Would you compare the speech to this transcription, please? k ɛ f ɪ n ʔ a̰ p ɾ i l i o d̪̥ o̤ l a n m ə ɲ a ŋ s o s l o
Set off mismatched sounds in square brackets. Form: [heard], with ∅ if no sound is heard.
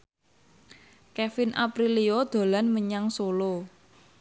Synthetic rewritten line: k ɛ f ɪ n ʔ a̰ p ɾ i l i o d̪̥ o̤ l a n m ə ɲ a ŋ s o [∅] l o